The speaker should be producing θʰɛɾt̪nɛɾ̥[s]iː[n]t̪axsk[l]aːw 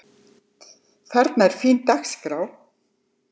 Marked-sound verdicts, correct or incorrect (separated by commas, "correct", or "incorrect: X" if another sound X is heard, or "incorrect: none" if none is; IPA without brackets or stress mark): incorrect: f, correct, incorrect: ɾ